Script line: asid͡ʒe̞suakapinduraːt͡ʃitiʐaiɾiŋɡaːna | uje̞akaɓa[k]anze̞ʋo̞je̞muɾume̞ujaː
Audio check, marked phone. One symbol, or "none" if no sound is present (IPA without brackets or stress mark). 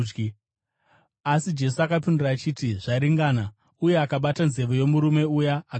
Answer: t